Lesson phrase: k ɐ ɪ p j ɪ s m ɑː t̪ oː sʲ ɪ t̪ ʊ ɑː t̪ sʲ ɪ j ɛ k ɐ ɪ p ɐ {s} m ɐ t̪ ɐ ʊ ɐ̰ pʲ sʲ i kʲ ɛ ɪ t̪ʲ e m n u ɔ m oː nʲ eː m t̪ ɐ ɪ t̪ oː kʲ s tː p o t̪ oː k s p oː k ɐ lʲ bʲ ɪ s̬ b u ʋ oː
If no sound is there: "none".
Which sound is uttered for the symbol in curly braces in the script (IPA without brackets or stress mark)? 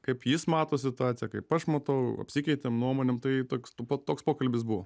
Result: ʃ